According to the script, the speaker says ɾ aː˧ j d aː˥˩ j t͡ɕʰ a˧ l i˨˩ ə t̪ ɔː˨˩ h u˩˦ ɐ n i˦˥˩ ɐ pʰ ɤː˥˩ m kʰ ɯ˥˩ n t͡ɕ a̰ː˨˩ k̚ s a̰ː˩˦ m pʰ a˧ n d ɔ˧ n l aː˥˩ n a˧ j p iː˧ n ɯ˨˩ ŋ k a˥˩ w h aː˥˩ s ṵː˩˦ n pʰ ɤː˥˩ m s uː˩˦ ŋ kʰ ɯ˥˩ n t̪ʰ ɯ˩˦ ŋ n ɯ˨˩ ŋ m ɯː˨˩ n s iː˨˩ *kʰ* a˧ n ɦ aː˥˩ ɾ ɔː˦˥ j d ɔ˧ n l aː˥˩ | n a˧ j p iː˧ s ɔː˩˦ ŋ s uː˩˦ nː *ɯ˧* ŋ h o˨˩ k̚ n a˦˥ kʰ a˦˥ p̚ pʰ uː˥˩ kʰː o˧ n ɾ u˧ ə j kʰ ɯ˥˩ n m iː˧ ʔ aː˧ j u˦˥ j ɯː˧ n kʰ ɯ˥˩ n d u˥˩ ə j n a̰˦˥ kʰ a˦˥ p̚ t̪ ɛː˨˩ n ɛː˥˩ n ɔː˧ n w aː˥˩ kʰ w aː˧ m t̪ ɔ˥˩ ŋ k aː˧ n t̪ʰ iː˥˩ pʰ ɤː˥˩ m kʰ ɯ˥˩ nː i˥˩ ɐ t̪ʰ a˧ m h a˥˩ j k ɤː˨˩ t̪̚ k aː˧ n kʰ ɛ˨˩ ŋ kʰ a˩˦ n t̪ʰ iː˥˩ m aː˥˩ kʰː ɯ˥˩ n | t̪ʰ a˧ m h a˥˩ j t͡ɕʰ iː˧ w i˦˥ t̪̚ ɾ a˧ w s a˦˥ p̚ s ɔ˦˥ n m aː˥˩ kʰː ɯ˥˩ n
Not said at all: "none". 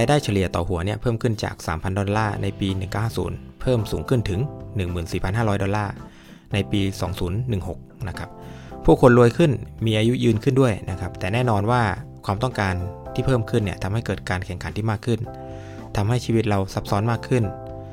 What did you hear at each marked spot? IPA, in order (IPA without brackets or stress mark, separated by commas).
pʰ, ɯ˨˩